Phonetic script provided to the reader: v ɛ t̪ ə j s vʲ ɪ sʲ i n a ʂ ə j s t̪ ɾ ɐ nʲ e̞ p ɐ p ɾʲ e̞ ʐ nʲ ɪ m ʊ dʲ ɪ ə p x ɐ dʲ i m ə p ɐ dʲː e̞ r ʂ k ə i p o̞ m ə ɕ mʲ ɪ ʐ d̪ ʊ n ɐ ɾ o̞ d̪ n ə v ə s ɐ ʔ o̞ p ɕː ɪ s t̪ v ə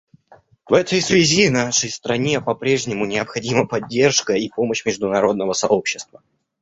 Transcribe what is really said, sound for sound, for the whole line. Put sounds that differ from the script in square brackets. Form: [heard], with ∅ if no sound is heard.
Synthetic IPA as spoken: v ɛ t̪ ə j s vʲ ɪ [zʲ] i n a ʂ ə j s t̪ ɾ ɐ nʲ e̞ p ɐ p ɾʲ e̞ ʐ nʲ ɪ m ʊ [nʲ] ɪ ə p x ɐ dʲ i m ə p ɐ dʲː e̞ r ʂ k ə i p o̞ m ə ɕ mʲ ɪ ʐ d̪ ʊ n ɐ ɾ o̞ d̪ n ə v ə s ɐ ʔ o̞ p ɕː ɪ s t̪ v ə